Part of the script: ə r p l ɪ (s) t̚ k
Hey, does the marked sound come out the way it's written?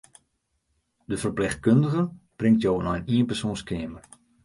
no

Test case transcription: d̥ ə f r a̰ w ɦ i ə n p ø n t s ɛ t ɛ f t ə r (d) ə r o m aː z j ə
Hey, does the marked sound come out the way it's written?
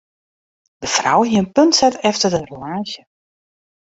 yes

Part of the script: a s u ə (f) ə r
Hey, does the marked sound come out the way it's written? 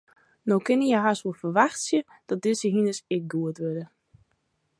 yes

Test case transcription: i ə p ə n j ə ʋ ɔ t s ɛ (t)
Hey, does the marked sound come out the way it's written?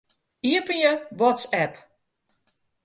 no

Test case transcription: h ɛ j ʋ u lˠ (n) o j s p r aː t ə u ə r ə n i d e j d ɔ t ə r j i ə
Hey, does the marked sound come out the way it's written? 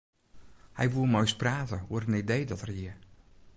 no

